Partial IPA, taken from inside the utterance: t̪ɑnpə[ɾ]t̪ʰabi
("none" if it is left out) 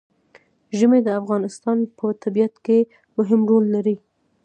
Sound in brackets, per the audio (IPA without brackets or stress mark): none